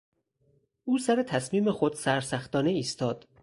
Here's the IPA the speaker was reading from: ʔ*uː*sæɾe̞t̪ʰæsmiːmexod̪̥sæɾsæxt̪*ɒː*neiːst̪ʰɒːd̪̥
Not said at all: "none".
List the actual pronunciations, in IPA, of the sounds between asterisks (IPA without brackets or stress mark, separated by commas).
uː, ɒː